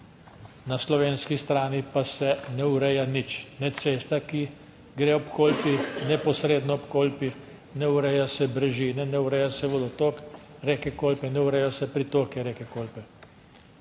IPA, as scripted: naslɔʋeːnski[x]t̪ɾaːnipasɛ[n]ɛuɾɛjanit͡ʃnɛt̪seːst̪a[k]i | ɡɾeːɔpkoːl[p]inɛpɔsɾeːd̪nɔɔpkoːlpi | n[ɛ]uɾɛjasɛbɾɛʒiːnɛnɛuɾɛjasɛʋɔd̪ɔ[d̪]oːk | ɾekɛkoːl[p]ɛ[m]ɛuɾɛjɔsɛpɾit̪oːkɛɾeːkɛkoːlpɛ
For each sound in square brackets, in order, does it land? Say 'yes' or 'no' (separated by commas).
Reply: no, yes, yes, yes, yes, no, yes, no